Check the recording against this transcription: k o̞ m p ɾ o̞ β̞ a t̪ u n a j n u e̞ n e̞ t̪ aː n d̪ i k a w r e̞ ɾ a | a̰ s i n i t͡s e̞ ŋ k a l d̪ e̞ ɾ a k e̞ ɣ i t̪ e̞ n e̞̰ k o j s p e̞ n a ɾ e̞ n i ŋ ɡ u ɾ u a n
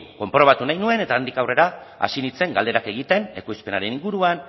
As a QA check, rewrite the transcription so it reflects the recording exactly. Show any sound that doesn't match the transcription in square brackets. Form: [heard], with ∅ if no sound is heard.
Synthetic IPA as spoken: k o̞ m p ɾ o̞ β̞ a t̪ u n a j n u e̞ n e̞ t̪ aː n d̪ i k a w r e̞ ɾ a | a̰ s i n i t͡s e̞ ŋ [ɡ] a l d̪ e̞ ɾ a k e̞ ɣ i t̪ e̞ n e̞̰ k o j s p e̞ n a ɾ e̞ n i ŋ ɡ u ɾ u a n